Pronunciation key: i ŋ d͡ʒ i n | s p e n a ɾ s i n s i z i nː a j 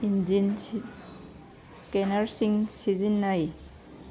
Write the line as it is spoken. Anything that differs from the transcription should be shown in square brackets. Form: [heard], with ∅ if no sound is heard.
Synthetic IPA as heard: i [n] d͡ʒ i n | s [k] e n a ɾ s i [ŋ] s i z i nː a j